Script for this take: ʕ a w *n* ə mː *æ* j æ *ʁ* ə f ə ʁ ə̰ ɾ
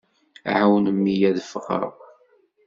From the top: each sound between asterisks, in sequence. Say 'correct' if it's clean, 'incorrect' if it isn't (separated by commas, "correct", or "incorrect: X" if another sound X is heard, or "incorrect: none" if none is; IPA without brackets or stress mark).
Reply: correct, incorrect: i, incorrect: ð